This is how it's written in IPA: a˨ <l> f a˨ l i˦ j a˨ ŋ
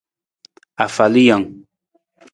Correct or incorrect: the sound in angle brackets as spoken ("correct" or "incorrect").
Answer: incorrect